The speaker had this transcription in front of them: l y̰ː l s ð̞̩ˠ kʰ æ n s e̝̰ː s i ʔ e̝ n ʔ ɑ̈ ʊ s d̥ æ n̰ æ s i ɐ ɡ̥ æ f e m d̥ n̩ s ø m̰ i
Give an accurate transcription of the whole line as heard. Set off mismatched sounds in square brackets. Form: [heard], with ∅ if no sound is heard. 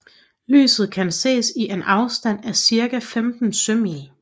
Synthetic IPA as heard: l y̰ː [∅] s ð̞̩ˠ kʰ æ n s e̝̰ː s i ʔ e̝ n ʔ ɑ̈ ʊ s d̥ æ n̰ æ s i ɐ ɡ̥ æ f e m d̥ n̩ s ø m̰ i